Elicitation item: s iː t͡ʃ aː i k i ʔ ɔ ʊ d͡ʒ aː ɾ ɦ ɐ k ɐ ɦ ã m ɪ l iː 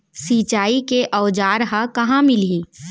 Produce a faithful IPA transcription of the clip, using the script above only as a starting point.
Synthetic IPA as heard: s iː t͡ʃ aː i k e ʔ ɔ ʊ d͡ʒ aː ɾ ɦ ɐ k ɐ ɦ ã m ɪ l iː

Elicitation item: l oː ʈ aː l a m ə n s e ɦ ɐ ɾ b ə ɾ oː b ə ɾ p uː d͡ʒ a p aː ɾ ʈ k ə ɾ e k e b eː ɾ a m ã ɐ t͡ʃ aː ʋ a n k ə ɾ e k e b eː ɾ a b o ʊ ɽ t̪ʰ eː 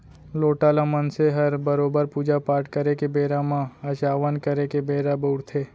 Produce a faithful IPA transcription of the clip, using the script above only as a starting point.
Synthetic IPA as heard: l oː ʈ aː l a m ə n s e ɦ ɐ ɾ b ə ɾ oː b ə ɾ p uː d͡ʒ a p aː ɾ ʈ k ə ɾ e k e b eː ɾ a m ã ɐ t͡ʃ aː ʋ ə n k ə ɾ e k e b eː ɾ a b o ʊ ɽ t̪ʰ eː

